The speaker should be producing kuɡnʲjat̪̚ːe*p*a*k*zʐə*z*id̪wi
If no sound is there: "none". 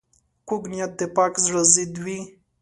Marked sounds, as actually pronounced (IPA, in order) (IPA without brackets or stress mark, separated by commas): p, k, z